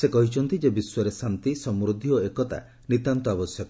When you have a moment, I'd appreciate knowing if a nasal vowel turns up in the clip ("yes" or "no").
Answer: no